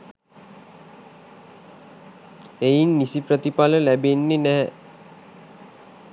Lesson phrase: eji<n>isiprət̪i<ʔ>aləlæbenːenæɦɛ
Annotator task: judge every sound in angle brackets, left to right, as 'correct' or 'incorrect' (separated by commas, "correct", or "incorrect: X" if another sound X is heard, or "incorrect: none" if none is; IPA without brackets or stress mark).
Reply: incorrect: nː, incorrect: p